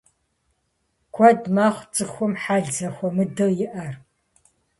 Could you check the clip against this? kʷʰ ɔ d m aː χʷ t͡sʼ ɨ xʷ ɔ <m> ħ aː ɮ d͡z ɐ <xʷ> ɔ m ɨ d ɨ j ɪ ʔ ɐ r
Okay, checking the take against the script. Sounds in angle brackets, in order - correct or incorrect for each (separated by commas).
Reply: correct, correct